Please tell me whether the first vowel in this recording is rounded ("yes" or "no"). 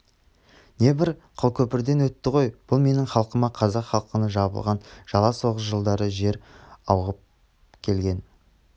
no